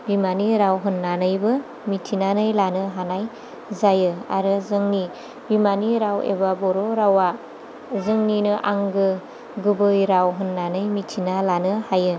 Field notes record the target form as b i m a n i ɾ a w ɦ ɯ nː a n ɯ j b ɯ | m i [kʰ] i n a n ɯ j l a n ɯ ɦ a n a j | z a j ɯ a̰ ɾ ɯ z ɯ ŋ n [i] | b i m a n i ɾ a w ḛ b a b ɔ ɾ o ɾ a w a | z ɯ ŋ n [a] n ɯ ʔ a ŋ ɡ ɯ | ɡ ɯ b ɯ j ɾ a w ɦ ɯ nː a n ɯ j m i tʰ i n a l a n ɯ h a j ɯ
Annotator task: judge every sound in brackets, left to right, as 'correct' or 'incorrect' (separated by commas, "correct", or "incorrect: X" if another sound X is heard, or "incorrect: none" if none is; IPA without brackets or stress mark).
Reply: incorrect: tʰ, correct, incorrect: i